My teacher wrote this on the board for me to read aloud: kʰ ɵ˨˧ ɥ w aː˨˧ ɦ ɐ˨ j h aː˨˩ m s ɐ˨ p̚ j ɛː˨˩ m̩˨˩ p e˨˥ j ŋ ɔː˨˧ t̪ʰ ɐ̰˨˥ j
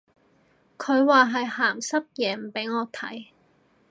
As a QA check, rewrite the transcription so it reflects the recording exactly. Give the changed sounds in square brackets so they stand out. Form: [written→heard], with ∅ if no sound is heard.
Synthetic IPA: kʰ ɵ˨˧ ɥ w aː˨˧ ɦ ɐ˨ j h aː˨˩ m s [ɐ˨→ɐ˥] p̚ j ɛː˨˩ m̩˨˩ p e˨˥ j ŋ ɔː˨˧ t̪ʰ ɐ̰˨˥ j